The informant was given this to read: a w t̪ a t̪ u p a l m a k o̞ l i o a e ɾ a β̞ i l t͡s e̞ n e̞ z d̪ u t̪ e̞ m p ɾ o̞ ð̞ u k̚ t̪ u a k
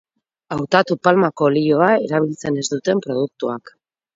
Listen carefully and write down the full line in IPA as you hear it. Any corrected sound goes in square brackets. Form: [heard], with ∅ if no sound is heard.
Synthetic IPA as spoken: a w t̪ a t̪ u p a l m a k o̞ l i o a e ɾ a β̞ i l t͡s e̞ n e̞ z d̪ u t̪ e̞ m p ɾ o̞ ð̞ u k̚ t̪ u a k